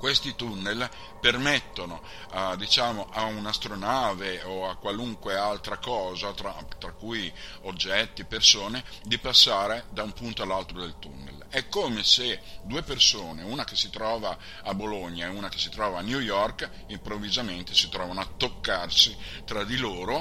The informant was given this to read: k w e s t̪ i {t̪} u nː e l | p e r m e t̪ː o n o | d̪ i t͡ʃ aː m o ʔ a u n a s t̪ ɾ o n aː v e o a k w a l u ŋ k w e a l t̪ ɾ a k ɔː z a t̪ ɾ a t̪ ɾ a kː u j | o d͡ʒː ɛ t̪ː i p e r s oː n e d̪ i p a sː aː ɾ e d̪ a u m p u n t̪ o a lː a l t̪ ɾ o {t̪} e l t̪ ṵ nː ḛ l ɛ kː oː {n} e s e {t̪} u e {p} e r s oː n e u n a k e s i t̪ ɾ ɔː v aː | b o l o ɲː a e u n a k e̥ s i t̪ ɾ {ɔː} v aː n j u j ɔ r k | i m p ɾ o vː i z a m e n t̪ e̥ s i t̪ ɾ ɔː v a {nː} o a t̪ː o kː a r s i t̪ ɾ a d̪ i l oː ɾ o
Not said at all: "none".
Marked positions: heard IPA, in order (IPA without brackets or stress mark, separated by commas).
t̪, d̪, m, d̪, p, ɔː, n